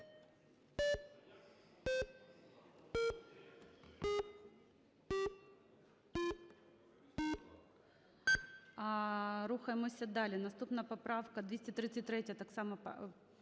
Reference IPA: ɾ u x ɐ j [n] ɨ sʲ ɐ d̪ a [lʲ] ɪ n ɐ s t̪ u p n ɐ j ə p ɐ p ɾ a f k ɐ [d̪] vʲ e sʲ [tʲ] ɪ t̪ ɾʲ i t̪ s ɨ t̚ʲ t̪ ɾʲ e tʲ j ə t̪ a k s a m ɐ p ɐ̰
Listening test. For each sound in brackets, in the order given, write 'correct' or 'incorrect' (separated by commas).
incorrect, correct, correct, correct